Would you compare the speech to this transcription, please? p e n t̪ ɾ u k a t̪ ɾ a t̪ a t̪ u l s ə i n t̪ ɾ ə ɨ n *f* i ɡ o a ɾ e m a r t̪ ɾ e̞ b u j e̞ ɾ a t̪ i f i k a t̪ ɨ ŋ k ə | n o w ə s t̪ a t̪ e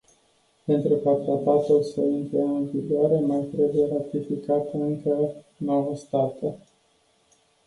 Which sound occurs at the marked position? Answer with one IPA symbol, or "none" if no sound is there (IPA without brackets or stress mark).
v